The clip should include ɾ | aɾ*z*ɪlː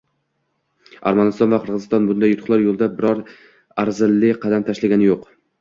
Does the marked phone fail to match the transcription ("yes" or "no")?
no